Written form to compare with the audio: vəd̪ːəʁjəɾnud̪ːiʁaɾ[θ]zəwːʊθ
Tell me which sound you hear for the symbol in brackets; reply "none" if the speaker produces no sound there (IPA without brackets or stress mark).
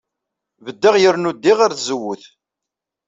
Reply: θ